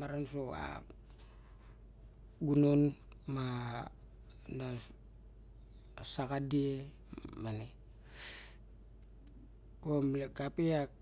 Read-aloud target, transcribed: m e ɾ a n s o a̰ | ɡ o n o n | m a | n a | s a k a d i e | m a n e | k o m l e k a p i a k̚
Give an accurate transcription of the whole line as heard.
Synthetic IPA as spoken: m a ɾ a n s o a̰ | ɡ u n o n | m a | n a | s a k a d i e | m a n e | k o m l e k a p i a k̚